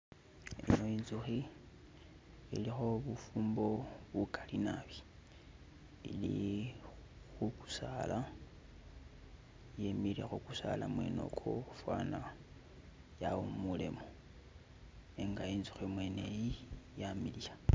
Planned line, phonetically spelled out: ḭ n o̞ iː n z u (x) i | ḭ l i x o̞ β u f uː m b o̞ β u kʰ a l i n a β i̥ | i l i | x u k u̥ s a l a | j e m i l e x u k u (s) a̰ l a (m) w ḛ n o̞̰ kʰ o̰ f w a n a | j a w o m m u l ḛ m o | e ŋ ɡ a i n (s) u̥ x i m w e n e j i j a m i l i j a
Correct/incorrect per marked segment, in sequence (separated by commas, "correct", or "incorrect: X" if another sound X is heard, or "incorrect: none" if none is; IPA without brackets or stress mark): correct, correct, correct, incorrect: z